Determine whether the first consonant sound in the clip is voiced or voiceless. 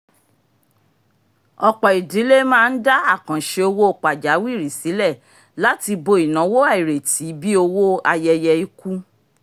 voiceless